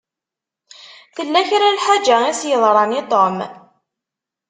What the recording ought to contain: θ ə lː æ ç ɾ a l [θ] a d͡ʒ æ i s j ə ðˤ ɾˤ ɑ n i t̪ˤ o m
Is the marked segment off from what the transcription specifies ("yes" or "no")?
yes